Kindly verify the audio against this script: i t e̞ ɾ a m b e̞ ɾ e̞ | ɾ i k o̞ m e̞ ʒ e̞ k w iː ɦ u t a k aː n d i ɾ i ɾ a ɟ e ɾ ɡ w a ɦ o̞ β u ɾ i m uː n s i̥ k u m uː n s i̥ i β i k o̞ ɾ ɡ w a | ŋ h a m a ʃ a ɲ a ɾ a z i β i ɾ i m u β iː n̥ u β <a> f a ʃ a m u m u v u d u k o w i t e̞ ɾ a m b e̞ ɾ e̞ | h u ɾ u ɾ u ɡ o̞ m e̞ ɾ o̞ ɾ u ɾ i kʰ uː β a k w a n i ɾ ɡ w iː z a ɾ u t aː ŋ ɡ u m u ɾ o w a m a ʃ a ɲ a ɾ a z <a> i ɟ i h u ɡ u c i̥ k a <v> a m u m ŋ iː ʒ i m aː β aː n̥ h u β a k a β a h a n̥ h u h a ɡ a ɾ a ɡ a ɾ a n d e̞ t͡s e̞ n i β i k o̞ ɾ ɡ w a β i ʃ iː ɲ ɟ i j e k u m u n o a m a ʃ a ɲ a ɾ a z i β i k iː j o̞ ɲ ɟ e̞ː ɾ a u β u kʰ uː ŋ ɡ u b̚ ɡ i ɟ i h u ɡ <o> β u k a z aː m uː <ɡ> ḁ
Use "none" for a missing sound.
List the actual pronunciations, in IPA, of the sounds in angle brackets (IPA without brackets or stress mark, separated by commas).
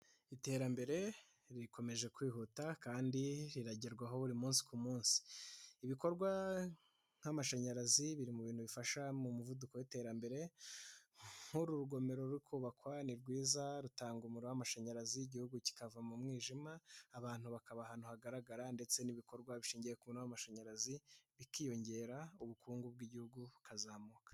i, i, v, u, k